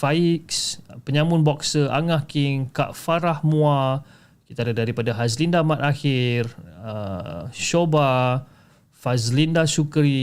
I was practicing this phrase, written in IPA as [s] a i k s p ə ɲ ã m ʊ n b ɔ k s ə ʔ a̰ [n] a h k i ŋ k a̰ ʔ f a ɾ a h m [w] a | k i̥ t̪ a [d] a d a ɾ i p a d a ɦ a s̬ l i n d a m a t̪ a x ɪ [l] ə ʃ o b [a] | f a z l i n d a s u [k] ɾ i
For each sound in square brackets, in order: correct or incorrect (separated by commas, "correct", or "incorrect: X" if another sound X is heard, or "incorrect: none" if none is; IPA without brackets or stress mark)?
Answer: incorrect: f, incorrect: ŋ, incorrect: u, correct, incorrect: r, correct, correct